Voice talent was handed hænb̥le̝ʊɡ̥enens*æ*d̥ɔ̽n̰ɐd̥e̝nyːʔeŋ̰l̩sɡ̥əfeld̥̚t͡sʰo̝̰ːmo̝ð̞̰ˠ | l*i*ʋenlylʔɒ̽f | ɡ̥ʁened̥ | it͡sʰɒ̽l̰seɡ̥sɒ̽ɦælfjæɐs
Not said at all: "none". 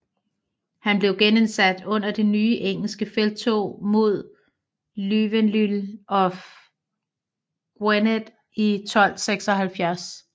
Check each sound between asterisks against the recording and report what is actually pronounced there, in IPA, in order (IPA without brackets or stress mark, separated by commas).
æ, y